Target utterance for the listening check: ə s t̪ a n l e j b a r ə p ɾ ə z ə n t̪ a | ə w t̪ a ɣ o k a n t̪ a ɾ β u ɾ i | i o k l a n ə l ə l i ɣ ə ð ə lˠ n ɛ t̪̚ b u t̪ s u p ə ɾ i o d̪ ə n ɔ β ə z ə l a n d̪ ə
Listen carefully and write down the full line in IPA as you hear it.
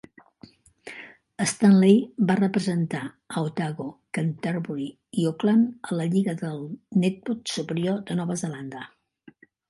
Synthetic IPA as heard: ə s t̪ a n l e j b a r ə p ɾ ə z ə n t̪ a | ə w t̪ a ɣ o k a n t̪ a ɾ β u ɾ i | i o k l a n ə l ə ʎ i ɣ ə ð ə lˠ n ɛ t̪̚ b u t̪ s u p ə ɾ i o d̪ ə n ɔ β ə z ə l a n d̪ ə